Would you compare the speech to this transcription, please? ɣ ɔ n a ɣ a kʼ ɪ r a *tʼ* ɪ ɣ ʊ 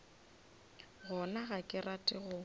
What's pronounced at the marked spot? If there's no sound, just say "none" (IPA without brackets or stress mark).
tʼ